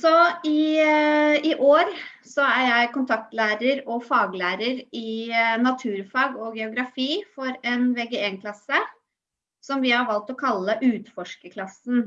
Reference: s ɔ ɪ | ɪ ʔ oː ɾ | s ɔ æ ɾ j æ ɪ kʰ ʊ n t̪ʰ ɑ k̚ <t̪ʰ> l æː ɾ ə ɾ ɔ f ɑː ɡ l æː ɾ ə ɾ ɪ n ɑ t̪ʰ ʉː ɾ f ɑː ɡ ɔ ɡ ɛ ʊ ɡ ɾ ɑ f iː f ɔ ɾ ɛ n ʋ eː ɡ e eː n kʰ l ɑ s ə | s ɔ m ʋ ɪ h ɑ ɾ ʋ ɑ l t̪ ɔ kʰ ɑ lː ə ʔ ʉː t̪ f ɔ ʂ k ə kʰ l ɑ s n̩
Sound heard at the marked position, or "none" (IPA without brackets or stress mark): t̪